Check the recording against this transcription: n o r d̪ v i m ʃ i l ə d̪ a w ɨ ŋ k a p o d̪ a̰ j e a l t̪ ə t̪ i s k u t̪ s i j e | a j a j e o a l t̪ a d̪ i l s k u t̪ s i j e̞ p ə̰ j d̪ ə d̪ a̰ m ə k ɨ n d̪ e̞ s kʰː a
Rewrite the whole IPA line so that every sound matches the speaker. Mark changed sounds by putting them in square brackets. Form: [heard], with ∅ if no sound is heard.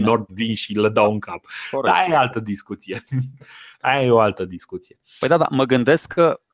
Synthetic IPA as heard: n o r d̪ v i [n] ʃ i l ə d̪ a w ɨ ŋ k a p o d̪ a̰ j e a l t̪ ə [d̪] i s k u t̪ s i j e | a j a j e o a l t̪ [ə] d̪ i [∅] s k u t̪ s i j e̞ p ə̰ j d̪ [a] d̪ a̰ m ə [ɡ] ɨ n d̪ e̞ s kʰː [ə]